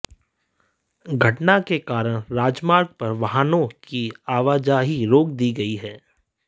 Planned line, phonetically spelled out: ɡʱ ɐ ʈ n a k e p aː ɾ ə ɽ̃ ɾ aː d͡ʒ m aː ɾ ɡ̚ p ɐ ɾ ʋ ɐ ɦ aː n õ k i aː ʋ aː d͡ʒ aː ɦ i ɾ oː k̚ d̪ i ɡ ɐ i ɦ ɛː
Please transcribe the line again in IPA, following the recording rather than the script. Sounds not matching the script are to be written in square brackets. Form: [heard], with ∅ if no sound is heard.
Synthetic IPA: ɡʱ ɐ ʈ n a k e [k] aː ɾ ə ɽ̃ ɾ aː d͡ʒ m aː ɾ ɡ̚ p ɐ ɾ ʋ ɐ ɦ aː n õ k i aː ʋ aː d͡ʒ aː ɦ i ɾ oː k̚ d̪ i ɡ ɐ i ɦ ɛː